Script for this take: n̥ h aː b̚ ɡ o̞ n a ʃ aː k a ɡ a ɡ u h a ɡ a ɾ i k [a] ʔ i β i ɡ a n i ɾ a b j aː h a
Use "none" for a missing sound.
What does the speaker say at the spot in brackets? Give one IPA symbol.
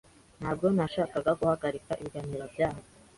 a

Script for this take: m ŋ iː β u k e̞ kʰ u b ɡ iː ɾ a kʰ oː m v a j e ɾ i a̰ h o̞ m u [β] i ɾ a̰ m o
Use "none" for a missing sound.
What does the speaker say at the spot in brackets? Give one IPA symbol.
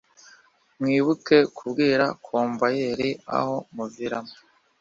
v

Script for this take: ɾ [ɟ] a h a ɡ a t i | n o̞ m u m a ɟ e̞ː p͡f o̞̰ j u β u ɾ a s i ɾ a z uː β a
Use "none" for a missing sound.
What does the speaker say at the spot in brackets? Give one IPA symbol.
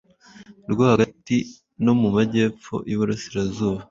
ɡ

